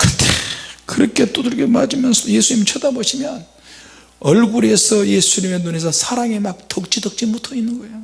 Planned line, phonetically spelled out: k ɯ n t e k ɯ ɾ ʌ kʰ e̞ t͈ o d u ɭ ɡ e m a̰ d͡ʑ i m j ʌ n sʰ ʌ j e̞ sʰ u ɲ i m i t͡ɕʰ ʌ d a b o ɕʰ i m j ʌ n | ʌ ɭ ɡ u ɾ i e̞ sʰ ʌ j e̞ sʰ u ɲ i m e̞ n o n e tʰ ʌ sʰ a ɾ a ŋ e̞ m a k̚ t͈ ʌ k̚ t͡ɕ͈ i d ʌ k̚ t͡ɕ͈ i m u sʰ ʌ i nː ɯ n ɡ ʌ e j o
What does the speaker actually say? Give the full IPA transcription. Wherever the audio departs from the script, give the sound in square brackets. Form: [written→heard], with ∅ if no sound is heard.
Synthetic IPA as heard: k ɯ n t e k ɯ ɾ ʌ kʰ e̞ t͈ o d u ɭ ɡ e m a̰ d͡ʑ i m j ʌ n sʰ ʌ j e̞ sʰ u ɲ i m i t͡ɕʰ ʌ d a b o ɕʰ i m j ʌ n | ʌ ɭ ɡ u ɾ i e̞ sʰ ʌ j e̞ sʰ u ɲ i m e̞ n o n e [tʰ→sʰ] ʌ sʰ a ɾ a ŋ e̞ m a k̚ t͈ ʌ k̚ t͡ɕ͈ i d ʌ k̚ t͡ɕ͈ i m u [sʰ→tʰ] ʌ i nː ɯ n ɡ ʌ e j o